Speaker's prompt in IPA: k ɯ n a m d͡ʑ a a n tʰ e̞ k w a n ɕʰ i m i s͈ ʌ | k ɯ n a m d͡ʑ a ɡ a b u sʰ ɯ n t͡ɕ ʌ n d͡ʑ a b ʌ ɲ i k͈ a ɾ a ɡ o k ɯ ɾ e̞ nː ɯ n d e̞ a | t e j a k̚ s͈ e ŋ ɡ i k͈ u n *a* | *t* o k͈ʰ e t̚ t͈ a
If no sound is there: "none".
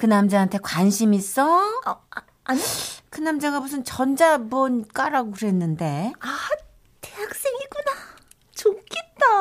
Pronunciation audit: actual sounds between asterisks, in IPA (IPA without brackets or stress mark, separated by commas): a, t͡ɕ